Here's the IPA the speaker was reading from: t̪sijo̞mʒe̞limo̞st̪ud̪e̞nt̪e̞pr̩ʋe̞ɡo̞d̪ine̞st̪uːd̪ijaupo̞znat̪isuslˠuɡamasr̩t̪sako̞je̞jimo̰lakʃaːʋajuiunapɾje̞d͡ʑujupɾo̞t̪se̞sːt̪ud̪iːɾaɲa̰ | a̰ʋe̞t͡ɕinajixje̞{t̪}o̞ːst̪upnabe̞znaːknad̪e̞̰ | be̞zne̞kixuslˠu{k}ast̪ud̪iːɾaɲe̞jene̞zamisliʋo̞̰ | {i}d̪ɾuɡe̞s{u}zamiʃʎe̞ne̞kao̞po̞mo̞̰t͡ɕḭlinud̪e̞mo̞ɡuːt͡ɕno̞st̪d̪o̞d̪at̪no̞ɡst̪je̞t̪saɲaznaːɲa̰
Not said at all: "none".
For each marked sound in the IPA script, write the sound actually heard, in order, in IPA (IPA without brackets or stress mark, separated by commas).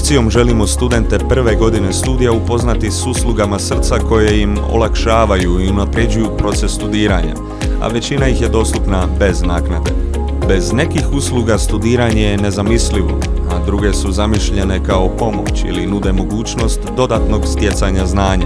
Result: d̪, ɡ, a, u